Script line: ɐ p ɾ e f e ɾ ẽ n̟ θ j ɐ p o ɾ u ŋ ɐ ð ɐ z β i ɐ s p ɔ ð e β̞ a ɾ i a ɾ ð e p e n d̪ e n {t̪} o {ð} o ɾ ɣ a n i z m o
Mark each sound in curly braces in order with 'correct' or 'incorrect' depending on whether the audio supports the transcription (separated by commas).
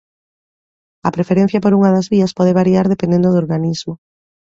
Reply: incorrect, correct